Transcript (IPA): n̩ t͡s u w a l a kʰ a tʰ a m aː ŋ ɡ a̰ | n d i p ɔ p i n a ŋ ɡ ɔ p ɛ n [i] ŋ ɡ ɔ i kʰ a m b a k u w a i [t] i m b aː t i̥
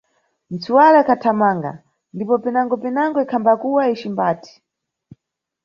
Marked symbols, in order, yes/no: no, no

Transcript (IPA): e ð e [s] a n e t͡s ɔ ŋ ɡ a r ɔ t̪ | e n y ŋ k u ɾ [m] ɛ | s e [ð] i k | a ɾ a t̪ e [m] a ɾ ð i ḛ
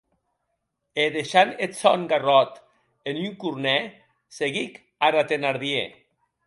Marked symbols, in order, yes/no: no, no, no, no

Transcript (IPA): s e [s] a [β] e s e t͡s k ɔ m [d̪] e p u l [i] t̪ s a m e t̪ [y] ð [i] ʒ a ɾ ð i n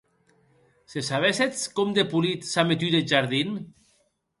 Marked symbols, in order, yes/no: yes, yes, yes, yes, yes, no

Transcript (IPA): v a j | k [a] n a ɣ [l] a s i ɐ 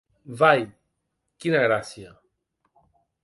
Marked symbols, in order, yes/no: no, no

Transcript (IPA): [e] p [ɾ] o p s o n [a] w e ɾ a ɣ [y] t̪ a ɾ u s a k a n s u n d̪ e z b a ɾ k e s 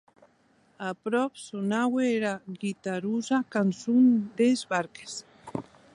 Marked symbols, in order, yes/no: no, yes, yes, no

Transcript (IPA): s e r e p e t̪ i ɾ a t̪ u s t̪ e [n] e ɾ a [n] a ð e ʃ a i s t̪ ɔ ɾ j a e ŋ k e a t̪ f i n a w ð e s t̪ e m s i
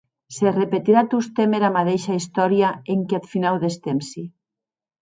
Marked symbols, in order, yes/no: no, no

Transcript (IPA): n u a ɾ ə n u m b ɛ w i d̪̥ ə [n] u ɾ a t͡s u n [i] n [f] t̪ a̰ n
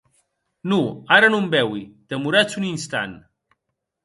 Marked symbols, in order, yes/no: no, yes, no

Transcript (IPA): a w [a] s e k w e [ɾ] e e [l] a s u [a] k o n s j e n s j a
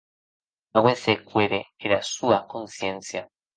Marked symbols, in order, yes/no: no, yes, no, yes

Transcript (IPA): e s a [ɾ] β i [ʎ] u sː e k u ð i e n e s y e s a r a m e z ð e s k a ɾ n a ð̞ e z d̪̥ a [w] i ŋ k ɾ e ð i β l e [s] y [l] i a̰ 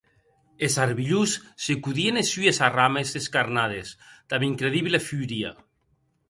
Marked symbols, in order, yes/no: yes, yes, no, no, no

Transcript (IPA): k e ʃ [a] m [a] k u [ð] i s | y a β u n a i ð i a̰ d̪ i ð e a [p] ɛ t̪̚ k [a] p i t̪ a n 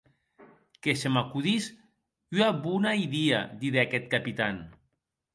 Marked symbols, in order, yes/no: no, yes, yes, no, yes

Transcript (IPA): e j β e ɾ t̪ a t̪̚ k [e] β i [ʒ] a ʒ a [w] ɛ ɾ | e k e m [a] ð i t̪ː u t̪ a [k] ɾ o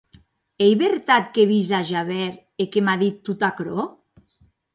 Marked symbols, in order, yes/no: yes, no, no, yes, yes

